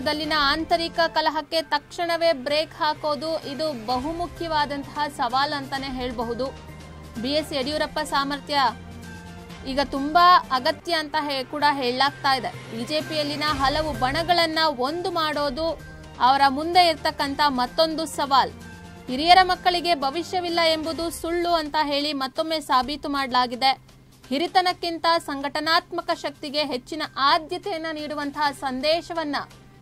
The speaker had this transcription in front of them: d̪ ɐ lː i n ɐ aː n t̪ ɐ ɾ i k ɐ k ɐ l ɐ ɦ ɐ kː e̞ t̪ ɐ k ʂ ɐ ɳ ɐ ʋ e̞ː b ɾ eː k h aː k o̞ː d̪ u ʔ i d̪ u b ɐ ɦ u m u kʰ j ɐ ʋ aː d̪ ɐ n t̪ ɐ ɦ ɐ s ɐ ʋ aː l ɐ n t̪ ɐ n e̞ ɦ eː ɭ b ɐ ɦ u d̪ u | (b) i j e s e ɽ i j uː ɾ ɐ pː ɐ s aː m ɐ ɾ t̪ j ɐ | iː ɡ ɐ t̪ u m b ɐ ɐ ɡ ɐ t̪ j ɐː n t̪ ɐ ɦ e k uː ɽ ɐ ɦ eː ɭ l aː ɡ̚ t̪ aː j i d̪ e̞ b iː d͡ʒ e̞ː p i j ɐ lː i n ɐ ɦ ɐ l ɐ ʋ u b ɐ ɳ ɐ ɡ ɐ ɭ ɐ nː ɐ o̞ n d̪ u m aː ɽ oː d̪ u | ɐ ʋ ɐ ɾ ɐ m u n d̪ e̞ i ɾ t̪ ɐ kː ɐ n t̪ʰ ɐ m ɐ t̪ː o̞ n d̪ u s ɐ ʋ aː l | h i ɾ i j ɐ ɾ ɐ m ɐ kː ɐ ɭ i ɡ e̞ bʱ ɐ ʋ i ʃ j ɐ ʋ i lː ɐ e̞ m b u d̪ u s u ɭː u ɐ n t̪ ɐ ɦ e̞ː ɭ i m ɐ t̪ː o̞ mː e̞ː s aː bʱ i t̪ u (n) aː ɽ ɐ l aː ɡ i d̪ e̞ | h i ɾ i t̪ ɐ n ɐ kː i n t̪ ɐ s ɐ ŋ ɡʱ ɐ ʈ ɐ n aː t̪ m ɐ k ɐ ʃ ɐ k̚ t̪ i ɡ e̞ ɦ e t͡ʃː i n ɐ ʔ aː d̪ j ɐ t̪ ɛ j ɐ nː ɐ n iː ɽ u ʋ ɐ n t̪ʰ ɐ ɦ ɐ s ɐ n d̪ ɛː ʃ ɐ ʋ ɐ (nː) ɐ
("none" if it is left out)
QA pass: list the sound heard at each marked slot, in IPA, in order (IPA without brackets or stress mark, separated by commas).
b, m, nː